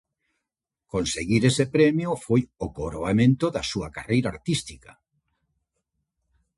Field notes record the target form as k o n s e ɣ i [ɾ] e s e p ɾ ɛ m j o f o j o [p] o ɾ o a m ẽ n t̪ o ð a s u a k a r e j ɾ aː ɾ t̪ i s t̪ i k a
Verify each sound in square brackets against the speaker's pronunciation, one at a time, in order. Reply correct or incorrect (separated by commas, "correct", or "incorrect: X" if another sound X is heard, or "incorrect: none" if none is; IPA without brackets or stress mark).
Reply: correct, incorrect: k